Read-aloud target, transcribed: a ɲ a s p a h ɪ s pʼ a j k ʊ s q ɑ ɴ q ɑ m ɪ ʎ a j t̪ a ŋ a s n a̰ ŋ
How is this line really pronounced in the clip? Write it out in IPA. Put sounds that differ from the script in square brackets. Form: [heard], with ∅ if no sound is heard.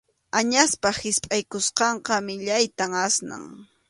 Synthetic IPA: a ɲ a s p a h ɪ s pʼ a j k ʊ s q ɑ ɴ q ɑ m ɪ ʎ a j t̪ a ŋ a s n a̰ ŋ